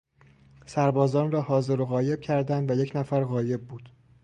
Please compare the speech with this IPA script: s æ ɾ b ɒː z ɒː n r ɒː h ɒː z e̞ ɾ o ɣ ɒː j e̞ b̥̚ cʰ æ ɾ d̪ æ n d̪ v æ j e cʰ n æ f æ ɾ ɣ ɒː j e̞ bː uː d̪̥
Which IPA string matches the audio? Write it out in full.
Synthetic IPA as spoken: s æ ɾ b ɒː z ɒː n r ɒː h ɒː z e̞ ɾ o ɣ ɒː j e̞ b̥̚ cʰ æ ɾ d̪ æ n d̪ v æ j e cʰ n æ f æ ɾ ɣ ɒː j e̞ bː uː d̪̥